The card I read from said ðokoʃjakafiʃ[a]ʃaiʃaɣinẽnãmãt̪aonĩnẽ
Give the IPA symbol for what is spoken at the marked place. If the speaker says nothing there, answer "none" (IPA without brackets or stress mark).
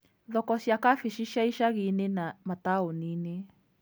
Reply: i